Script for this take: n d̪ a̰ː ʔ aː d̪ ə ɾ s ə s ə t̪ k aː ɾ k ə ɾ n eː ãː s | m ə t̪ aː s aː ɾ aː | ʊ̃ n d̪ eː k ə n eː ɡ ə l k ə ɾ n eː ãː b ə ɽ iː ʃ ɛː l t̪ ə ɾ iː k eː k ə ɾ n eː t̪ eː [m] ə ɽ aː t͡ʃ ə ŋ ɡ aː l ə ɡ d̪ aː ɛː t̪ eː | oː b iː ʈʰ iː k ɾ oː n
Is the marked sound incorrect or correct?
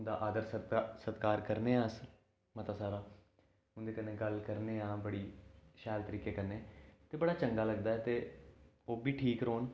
incorrect